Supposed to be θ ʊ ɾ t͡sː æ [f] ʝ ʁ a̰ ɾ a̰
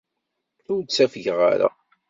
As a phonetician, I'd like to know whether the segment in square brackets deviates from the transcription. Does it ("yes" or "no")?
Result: no